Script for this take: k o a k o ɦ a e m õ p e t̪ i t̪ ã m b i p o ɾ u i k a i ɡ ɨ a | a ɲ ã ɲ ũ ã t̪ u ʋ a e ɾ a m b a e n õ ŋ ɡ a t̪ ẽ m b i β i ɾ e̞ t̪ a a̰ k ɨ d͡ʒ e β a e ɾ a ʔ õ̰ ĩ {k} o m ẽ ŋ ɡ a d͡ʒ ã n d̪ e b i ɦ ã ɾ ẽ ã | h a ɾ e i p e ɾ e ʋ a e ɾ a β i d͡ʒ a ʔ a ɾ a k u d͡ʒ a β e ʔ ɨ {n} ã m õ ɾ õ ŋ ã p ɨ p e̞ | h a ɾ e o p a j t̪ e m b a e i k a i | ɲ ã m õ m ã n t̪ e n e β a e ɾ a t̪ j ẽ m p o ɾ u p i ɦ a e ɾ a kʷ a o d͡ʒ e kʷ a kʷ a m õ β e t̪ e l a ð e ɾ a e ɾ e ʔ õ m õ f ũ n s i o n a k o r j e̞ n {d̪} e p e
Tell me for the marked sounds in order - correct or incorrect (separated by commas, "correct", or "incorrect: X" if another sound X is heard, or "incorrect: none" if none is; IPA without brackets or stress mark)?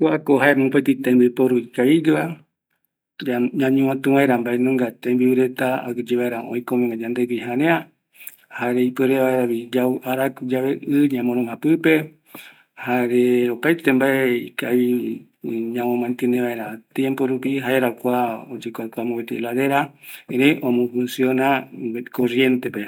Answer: correct, incorrect: ɲ, incorrect: t̪